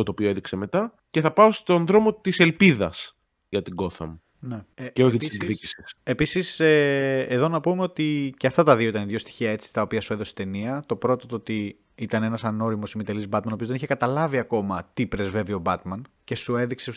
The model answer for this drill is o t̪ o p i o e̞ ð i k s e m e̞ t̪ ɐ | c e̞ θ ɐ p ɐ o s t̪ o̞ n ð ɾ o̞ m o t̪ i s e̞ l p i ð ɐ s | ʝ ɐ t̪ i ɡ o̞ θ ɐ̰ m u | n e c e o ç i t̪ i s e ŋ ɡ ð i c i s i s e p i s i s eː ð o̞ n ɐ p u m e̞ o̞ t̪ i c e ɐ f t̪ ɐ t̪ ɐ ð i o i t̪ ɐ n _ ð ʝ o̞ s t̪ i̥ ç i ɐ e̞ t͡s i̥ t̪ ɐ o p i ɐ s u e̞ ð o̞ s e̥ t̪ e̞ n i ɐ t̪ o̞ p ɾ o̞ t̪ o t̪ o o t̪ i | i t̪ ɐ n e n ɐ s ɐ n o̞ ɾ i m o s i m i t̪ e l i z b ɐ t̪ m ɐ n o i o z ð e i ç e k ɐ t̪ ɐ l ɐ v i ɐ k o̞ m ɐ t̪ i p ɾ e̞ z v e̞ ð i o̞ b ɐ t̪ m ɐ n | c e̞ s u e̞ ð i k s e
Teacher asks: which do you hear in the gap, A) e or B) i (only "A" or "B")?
B